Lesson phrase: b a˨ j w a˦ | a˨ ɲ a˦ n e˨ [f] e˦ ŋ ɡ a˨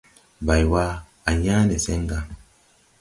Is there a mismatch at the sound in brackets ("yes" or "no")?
yes